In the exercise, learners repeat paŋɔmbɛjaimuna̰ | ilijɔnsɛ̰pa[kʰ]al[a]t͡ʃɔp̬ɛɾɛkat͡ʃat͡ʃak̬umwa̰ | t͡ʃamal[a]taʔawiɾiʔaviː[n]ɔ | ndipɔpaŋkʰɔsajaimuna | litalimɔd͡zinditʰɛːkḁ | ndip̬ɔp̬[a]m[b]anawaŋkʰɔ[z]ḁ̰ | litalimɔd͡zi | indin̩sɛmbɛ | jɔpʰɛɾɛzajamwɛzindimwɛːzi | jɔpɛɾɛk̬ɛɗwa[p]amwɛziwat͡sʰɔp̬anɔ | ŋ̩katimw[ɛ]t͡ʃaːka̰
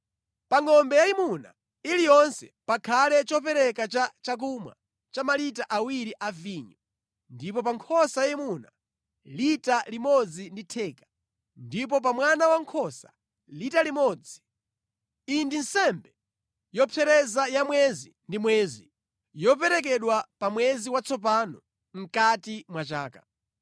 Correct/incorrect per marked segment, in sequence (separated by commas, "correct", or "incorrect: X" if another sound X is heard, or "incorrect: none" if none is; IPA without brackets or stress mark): correct, incorrect: ɛ, incorrect: i, incorrect: ɲ, correct, incorrect: w, incorrect: s, correct, incorrect: a